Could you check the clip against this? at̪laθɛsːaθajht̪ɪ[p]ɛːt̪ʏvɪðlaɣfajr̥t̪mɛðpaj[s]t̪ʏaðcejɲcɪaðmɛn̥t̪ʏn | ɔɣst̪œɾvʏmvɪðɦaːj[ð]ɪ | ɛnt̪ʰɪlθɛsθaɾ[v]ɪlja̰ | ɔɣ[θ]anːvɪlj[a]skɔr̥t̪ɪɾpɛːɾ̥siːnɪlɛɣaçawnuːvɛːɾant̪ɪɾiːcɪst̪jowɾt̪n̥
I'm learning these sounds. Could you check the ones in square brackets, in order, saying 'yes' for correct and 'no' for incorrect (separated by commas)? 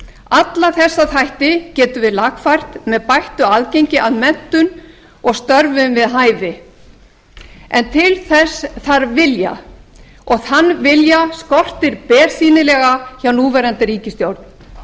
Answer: no, no, no, yes, yes, yes